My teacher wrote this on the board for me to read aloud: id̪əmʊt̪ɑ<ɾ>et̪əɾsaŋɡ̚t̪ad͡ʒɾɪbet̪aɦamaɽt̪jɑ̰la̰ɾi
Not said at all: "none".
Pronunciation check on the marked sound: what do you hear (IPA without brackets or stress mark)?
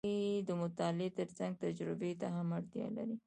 l